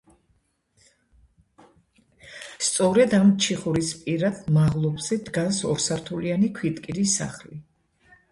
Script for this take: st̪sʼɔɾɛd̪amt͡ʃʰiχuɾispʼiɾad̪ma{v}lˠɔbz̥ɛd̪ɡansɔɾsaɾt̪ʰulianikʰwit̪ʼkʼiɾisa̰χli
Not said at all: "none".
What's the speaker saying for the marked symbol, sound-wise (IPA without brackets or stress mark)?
ʁ